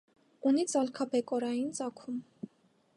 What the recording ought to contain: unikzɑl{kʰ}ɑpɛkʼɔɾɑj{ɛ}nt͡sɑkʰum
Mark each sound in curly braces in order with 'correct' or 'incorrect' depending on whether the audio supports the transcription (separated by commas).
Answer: correct, incorrect